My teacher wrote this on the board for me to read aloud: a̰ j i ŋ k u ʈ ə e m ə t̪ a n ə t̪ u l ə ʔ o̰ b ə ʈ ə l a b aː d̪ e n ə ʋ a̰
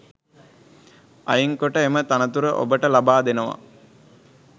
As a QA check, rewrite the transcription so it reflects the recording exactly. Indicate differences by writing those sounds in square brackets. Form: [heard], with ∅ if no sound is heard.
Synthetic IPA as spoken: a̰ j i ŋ k [o] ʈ ə e m ə t̪ a n ə t̪ u [ɾ] ə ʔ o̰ b ə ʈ ə l a b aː d̪ e n ə ʋ a̰